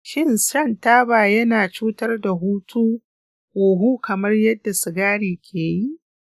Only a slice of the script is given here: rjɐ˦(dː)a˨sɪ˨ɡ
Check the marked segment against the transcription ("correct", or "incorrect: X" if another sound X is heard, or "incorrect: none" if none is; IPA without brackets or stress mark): correct